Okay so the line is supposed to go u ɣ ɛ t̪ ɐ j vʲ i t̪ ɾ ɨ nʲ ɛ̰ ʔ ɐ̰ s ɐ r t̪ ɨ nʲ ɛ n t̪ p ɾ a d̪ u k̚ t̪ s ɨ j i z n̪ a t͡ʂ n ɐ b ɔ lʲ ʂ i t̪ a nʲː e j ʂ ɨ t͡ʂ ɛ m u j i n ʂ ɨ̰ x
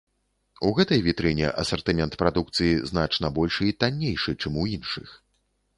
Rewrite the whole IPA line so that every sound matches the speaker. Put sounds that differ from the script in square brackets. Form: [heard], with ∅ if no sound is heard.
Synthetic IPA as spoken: u ɣ ɛ t̪ ɐ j vʲ i t̪ ɾ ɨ nʲ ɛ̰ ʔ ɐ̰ s ɐ r t̪ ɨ [mʲ] ɛ n t̪ p ɾ a d̪ u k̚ t̪ s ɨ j i z n̪ a t͡ʂ n ɐ b ɔ lʲ ʂ i t̪ a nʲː e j ʂ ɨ t͡ʂ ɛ m u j i n ʂ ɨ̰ x